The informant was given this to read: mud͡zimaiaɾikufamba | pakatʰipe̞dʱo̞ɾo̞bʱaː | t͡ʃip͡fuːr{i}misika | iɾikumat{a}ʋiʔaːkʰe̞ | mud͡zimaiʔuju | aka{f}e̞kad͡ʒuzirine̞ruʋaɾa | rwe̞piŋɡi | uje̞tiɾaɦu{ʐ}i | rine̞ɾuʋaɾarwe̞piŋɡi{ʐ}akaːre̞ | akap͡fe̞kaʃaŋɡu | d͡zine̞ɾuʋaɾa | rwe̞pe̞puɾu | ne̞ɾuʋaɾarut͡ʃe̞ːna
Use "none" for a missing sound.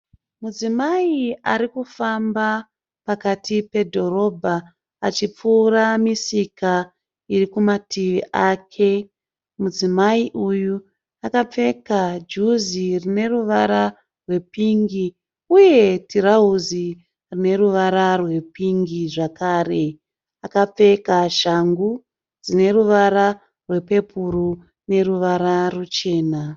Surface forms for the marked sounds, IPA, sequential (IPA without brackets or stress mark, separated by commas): a, i, p͡f, z, ʐ